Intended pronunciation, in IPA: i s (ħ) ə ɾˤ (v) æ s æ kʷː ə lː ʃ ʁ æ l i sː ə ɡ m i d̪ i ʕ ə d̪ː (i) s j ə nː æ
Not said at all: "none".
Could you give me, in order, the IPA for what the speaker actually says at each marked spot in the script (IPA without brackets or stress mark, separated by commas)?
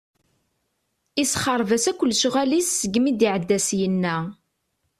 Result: χ, v, æ